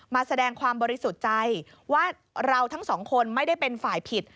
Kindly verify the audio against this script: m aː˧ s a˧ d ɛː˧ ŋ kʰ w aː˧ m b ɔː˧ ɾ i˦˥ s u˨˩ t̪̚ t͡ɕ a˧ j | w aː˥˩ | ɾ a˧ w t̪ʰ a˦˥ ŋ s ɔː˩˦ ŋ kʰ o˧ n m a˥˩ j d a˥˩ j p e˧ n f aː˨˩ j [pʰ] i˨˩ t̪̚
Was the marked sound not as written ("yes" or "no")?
no